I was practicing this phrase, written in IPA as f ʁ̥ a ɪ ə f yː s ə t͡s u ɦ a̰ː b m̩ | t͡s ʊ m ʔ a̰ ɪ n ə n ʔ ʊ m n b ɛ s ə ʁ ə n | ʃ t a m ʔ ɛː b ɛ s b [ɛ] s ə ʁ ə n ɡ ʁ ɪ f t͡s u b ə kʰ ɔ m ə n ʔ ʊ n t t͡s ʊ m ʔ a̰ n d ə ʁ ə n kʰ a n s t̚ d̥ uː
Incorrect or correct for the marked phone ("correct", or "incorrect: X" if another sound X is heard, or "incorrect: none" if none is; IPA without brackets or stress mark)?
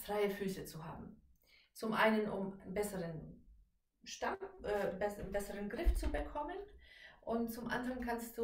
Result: correct